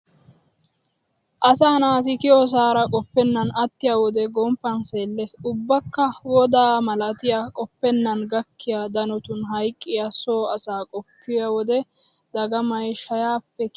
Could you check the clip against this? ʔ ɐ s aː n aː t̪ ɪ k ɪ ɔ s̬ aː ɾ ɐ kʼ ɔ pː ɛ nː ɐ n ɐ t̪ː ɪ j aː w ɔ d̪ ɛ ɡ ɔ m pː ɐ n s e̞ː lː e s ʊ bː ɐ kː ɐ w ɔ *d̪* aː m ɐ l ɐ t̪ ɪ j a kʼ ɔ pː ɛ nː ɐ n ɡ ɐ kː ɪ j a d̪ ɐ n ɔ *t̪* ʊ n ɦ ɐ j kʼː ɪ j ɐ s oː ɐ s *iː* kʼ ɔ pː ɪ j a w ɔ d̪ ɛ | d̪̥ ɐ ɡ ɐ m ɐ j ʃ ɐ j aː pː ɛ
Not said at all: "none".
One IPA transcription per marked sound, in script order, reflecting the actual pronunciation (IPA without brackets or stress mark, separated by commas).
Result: d̪, t̪, aː